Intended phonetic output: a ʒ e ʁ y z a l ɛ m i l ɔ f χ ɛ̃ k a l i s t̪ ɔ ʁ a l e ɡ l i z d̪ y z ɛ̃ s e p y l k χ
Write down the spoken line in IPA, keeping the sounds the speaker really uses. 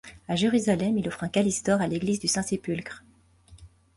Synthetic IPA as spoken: a ʒ e ʁ y z a l ɛ m i l ɔ f χ ɛ̃ k a l i s t̪ ɔ ʁ a l e ɡ l i z d̪ y s ɛ̃ s e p y l k χ